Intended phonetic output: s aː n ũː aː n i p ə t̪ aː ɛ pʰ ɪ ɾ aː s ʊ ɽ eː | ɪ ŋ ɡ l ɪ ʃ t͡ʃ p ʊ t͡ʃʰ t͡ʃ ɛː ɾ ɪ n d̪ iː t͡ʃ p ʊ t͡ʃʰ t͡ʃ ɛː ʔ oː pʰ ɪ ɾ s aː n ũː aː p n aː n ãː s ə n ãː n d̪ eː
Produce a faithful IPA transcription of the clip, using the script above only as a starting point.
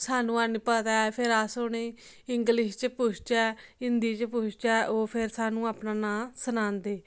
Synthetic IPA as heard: s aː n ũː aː n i p ə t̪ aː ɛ pʰ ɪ ɾ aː s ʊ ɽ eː | ɪ ŋ ɡ l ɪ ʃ t͡ʃ p ʊ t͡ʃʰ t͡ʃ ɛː ɪ n d̪ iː t͡ʃ p ʊ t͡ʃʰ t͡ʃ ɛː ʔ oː pʰ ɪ ɾ s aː n ũː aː p n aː n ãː s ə n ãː n d̪ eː